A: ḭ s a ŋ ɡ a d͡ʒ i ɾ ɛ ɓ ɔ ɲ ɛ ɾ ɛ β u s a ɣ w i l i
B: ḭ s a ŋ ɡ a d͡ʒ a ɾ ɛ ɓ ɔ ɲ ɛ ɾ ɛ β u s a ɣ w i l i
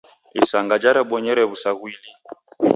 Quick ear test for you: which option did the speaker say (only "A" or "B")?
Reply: B